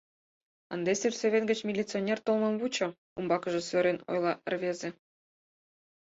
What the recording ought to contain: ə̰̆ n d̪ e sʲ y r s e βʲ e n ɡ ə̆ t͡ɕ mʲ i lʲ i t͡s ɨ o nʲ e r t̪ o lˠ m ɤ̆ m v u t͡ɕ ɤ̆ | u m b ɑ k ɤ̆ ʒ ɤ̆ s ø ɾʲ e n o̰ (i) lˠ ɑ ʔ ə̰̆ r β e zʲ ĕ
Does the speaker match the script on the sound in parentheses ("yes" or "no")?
no